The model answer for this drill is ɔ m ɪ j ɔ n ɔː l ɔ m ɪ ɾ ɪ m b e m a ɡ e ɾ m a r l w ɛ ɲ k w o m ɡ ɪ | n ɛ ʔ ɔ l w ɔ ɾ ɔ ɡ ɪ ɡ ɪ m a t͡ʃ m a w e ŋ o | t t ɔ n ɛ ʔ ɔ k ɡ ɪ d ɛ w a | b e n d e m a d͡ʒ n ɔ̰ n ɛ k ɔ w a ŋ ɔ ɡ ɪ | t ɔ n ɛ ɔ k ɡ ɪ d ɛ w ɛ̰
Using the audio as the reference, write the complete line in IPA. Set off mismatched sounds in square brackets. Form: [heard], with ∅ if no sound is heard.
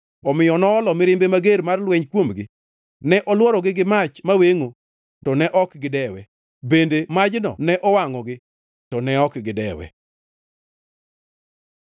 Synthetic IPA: ɔ m ɪ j ɔ n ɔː l ɔ m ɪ ɾ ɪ m b e m a ɡ e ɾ m a r l w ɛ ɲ k w o m ɡ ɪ | n ɛ ʔ ɔ l w ɔ ɾ ɔ ɡ ɪ ɡ ɪ m a t͡ʃ m a w e ŋ o | t t ɔ n ɛ ʔ ɔ k ɡ ɪ d ɛ w [ɛ] | b e n d e m a d͡ʒ n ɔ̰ n ɛ [ʔ] ɔ w a ŋ ɔ ɡ ɪ | t ɔ n ɛ ɔ k ɡ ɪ d ɛ w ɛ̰